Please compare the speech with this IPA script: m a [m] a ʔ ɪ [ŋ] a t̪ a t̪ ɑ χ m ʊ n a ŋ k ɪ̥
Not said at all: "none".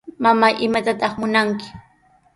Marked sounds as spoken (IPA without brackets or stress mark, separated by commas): m, m